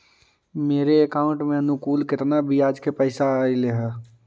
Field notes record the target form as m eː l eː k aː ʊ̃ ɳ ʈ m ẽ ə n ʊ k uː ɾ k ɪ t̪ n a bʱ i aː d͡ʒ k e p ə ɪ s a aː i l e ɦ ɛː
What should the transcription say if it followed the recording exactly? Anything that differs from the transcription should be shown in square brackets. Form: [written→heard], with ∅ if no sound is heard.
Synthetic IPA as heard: m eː [l→ɾ] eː k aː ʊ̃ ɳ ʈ m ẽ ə n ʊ k uː [ɾ→l] k ɪ t̪ n a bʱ i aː d͡ʒ k e p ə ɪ s a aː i l e ɦ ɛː